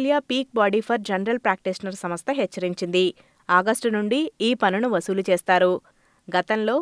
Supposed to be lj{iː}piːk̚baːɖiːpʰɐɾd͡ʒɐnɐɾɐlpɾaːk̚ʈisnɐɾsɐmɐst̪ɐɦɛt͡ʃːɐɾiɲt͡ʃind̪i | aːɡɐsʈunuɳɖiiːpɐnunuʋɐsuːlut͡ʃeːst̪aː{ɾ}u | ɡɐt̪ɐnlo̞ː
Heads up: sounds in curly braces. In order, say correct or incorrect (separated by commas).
incorrect, correct